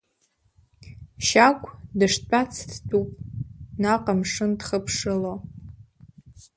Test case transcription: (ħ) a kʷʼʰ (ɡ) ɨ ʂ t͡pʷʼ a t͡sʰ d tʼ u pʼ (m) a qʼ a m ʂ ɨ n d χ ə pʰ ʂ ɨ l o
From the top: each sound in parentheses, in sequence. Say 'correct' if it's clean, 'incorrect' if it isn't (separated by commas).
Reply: incorrect, incorrect, incorrect